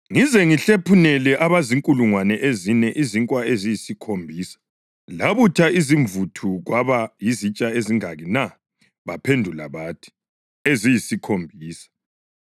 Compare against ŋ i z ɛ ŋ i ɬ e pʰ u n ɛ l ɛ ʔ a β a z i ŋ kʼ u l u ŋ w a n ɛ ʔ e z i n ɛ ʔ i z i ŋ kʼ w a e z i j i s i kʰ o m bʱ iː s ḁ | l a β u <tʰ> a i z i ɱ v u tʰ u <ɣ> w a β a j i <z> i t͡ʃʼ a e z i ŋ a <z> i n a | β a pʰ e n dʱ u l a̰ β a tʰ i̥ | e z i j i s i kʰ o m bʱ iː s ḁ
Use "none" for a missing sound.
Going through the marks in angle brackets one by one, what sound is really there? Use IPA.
tʰ, ɣ, z, ɣ

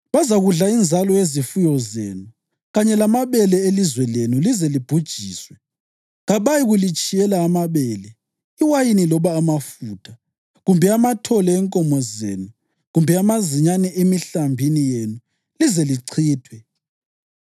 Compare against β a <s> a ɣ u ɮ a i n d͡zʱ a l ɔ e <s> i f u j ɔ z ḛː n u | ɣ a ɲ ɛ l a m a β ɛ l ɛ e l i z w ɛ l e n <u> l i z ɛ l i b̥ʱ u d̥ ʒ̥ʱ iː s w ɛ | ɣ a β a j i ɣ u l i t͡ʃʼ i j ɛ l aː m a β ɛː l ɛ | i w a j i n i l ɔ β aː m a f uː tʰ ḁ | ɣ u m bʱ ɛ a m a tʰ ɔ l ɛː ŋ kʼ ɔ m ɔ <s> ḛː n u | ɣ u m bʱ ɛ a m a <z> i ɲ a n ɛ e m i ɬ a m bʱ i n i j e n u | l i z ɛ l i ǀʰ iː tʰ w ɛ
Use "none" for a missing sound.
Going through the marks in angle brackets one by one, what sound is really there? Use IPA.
z, z, u, z, z

